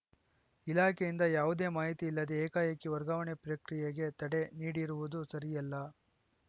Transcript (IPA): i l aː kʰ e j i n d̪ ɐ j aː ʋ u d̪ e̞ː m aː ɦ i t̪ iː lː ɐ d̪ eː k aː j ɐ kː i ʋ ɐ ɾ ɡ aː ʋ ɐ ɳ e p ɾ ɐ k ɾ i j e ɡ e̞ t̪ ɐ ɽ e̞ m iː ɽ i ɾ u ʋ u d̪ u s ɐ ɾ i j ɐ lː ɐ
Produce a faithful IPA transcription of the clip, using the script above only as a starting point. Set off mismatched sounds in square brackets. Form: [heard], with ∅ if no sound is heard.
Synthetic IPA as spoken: i l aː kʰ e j i n d̪ ɐ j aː ʋ u d̪ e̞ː m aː ɦ i t̪ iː lː ɐ d̪ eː k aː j ɐ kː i ʋ ɐ ɾ ɡ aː ʋ ɐ ɳ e p ɾ ɐ k ɾ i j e ɡ e̞ t̪ ɐ ɽ e̞ [n] iː ɽ i ɾ u ʋ u d̪ u s ɐ ɾ i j ɐ lː ɐ